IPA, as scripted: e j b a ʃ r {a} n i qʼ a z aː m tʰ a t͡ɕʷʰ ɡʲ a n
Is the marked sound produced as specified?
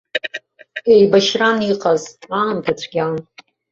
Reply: yes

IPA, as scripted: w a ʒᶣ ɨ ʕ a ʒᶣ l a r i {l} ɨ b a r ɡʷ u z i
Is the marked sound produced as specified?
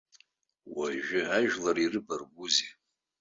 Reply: no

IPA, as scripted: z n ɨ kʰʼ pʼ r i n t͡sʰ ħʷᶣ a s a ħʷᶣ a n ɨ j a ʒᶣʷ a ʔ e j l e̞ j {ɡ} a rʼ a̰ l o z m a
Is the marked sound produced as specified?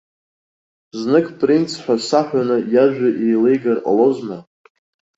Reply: yes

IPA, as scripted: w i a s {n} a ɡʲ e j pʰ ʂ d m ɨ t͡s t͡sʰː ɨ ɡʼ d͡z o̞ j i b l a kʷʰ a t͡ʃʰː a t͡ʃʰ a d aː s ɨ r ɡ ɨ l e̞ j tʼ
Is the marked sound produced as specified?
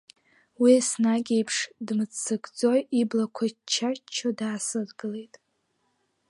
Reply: yes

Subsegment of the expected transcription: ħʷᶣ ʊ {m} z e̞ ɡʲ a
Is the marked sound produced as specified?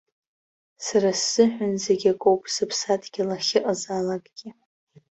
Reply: no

